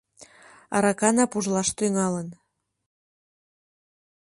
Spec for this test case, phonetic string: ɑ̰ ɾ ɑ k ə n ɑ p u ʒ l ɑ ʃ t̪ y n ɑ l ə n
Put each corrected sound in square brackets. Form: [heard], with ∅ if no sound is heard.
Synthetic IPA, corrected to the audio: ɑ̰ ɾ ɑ k [ɑ] n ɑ p u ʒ l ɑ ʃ t̪ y [ŋ] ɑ l ə n